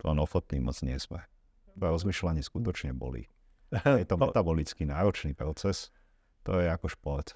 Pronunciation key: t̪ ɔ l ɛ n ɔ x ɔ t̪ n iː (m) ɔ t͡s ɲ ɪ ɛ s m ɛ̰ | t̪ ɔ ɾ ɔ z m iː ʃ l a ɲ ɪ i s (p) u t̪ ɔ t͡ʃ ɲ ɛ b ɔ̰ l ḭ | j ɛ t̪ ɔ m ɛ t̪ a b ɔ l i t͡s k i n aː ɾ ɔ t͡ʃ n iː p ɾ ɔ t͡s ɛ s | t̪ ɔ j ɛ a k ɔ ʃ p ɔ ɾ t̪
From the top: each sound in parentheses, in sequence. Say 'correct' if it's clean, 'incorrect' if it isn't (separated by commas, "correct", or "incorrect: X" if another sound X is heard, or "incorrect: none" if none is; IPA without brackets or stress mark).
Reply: correct, incorrect: k